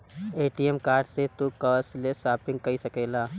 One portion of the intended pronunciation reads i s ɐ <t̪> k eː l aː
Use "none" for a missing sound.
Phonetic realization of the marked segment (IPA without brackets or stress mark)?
none